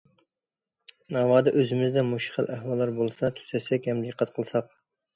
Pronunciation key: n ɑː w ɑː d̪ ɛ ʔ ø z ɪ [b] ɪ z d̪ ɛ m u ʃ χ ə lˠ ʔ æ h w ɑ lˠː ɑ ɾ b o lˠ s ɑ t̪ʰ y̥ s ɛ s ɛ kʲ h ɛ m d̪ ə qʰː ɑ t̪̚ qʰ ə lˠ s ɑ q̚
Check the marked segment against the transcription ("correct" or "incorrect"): incorrect